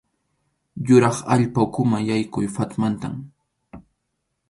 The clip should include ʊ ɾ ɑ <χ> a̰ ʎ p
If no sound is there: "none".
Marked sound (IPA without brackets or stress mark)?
χ